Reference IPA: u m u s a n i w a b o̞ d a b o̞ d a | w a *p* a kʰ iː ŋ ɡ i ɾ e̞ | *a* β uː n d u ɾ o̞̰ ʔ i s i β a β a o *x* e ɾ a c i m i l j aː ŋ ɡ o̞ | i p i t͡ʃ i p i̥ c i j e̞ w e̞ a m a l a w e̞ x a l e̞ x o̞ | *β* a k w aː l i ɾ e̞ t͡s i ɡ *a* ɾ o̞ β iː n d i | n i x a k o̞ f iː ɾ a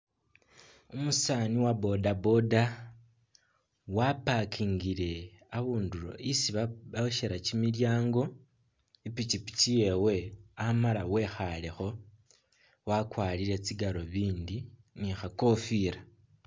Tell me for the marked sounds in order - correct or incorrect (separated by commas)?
correct, correct, incorrect, incorrect, correct